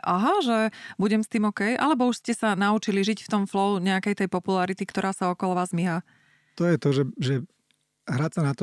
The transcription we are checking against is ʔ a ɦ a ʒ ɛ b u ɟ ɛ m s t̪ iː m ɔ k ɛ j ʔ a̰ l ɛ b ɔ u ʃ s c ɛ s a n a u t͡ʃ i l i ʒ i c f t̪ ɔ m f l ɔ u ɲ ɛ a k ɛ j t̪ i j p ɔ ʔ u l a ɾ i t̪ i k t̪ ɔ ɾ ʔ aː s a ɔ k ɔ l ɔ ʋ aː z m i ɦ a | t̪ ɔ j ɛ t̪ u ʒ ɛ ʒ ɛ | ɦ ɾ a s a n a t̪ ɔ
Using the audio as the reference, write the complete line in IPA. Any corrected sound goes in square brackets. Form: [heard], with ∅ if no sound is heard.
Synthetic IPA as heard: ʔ a ɦ a ʒ ɛ b u ɟ ɛ m s t̪ iː m ɔ k ɛ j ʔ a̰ l ɛ b ɔ u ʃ s c ɛ s a n a u t͡ʃ i l i ʒ i c f t̪ ɔ m f l ɔ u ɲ ɛ a k ɛ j t̪ [ɛ] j p ɔ [p] u l a ɾ i t̪ i k t̪ ɔ ɾ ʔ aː s a ɔ k ɔ l ɔ ʋ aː z m i ɦ a | t̪ ɔ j ɛ t̪ [ɔ] ʒ ɛ ʒ ɛ | ɦ ɾ a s a n a t̪ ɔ